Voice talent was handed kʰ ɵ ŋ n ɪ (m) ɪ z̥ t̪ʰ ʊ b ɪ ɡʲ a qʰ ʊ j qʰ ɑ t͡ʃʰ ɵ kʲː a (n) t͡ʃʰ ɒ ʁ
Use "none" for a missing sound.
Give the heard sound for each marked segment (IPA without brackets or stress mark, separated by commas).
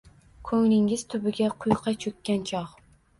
ŋ, n